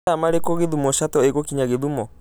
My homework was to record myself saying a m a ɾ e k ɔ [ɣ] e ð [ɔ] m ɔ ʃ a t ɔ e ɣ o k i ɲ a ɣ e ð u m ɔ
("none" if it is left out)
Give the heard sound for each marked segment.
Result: ɣ, u

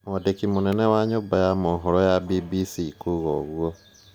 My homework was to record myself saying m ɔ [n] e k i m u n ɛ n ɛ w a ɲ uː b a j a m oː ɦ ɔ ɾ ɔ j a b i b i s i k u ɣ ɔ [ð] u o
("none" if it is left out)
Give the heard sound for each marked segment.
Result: d, ɣ

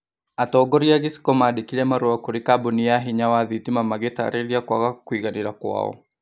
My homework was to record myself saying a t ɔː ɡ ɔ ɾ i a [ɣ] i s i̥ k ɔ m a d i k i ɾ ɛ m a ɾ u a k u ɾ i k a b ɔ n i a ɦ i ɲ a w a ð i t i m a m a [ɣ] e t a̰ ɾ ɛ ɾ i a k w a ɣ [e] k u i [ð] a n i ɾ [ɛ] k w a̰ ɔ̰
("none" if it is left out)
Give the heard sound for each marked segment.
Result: ɣ, ɣ, a, ɣ, a

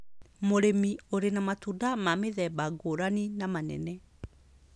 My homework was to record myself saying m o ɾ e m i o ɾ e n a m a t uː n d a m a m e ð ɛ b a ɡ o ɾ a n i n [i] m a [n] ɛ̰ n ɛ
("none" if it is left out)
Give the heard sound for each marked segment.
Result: a, n

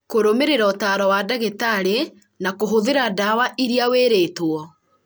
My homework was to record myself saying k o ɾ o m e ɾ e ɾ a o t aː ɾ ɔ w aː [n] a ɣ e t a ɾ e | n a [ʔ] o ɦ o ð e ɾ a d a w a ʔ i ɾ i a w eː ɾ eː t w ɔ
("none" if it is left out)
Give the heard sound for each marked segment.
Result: d, k

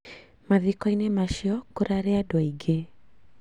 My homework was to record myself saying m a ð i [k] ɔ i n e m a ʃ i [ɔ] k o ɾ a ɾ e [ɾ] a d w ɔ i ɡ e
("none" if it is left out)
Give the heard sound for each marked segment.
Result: k, ɔ, none

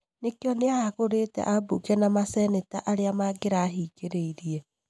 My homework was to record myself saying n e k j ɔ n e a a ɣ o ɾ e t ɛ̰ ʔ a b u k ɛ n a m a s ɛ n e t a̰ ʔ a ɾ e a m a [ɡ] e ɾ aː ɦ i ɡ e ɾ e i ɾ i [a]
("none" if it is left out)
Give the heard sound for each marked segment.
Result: ɡ, ɛ

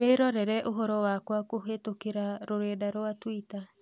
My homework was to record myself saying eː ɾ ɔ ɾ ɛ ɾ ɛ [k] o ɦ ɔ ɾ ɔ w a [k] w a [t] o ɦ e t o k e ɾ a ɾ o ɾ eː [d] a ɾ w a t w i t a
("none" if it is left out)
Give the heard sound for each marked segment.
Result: ʔ, k, k, d

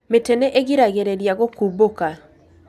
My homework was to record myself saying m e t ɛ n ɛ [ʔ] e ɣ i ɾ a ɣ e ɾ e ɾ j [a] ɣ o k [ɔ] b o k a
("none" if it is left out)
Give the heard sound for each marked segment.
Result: ʔ, a, u

